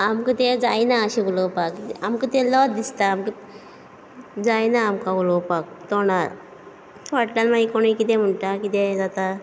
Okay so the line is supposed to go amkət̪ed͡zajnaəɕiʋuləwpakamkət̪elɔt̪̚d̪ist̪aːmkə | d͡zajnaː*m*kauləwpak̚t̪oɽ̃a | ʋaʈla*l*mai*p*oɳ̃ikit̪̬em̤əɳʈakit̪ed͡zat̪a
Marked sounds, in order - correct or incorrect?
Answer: correct, correct, incorrect: k

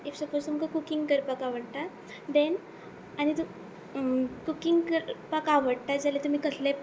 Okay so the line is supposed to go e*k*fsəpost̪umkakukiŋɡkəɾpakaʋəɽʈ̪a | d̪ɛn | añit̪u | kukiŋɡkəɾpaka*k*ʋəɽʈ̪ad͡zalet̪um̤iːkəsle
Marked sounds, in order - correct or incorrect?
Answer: incorrect: none, incorrect: none

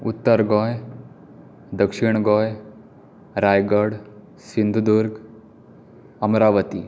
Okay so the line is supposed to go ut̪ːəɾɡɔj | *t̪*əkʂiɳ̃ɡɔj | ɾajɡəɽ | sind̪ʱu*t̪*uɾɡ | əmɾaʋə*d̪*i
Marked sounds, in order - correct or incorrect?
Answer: incorrect: d̪, incorrect: d̪, incorrect: t̪

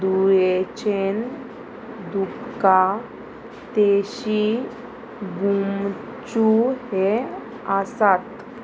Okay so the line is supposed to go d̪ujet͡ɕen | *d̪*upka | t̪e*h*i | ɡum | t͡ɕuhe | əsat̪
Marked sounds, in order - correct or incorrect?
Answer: correct, incorrect: ɕ

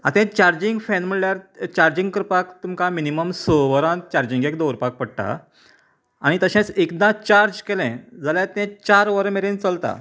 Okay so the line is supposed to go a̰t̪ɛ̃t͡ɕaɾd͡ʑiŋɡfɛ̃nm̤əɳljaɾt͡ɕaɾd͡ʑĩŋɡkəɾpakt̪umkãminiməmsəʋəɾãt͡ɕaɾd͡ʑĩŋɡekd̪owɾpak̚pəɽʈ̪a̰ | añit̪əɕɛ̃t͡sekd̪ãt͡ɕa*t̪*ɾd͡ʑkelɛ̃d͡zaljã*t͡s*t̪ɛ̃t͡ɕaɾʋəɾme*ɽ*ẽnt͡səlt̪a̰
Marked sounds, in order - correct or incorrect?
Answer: incorrect: none, incorrect: none, incorrect: ɾ

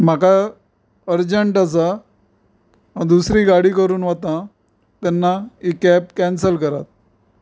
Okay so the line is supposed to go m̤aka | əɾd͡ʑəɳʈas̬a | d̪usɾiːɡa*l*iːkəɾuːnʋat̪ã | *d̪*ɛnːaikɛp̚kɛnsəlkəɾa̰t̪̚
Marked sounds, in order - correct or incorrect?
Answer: incorrect: ɽ, incorrect: t̪

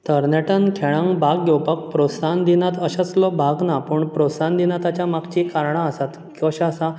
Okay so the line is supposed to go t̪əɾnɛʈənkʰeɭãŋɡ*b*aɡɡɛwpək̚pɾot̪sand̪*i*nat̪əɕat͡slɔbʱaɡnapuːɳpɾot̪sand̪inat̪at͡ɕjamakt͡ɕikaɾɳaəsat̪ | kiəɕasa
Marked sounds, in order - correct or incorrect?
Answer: correct, correct

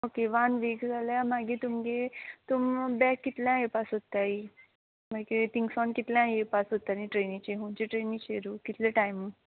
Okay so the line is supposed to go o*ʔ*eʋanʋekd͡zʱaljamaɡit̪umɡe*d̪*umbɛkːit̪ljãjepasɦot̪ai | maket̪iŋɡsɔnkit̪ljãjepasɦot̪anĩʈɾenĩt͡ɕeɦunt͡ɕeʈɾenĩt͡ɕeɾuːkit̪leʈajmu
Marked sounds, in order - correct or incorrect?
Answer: incorrect: k, incorrect: t̪

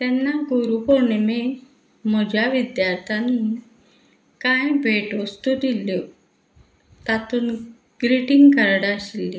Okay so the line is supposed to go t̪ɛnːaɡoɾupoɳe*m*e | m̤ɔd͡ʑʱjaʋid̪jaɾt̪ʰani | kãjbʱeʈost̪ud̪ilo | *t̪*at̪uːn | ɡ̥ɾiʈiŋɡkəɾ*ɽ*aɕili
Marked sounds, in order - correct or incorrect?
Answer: correct, correct, correct

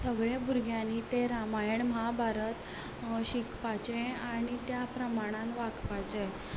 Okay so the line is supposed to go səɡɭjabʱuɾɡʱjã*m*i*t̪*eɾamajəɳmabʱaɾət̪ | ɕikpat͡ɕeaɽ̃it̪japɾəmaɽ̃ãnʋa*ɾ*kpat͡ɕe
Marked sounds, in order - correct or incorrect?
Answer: incorrect: n, correct, incorrect: none

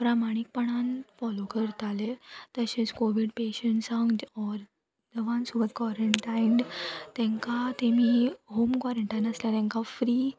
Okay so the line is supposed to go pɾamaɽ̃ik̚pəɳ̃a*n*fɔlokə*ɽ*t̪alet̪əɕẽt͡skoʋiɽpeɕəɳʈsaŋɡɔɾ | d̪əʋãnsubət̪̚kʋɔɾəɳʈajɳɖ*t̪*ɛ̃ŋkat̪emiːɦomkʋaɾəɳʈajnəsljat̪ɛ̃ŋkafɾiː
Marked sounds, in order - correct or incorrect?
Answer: correct, incorrect: ɾ, correct

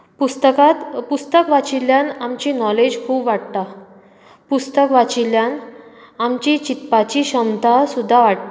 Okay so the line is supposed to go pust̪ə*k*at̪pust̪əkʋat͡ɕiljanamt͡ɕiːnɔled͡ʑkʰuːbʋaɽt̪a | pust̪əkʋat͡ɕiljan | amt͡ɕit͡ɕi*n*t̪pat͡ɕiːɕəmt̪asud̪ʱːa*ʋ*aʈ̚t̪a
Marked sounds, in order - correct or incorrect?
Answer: correct, incorrect: none, correct

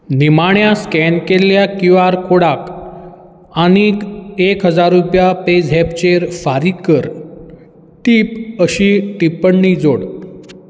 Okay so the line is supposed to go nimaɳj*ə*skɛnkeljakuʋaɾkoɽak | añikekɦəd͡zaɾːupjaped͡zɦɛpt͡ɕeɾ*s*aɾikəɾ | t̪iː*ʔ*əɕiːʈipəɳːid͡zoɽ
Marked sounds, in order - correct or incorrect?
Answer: incorrect: a, incorrect: f, incorrect: p

